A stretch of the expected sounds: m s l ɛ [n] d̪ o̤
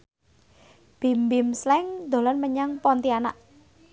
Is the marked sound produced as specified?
no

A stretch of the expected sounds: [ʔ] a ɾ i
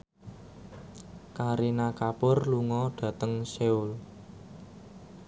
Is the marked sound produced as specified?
no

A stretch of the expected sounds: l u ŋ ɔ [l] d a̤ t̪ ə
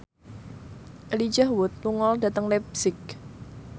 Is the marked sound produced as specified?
yes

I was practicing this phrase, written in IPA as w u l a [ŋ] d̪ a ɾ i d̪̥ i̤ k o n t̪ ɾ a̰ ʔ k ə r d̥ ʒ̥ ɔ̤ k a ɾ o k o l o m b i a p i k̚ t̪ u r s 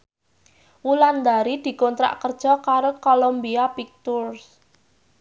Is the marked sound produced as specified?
no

